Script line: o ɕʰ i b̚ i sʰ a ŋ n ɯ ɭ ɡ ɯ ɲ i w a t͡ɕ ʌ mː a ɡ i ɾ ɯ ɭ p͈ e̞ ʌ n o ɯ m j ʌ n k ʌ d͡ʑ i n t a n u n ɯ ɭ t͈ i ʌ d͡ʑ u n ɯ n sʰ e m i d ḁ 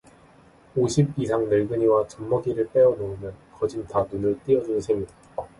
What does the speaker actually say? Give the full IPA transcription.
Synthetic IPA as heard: o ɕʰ i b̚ i sʰ a ŋ n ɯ ɭ ɡ ɯ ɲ i w a t͡ɕ ʌ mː ʌ ɡ i ɾ ɯ ɭ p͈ e̞ ʌ n o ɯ m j ʌ n k ʌ d͡ʑ i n t a n u n ɯ ɭ t͈ i ʌ d͡ʑ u n ɯ n sʰ e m i d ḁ